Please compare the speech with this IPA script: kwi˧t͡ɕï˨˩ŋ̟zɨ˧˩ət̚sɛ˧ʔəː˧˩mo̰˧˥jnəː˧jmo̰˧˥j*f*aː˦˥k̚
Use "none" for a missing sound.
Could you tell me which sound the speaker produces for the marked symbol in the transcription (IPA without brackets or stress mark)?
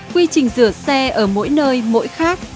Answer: x